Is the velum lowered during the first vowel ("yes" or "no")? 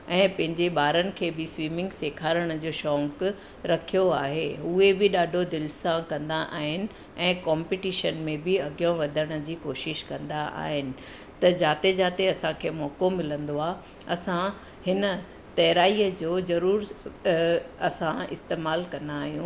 yes